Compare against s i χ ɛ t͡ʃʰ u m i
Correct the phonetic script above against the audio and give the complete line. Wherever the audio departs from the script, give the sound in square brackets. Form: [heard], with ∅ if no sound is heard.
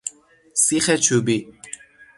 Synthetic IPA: s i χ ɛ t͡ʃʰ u [b] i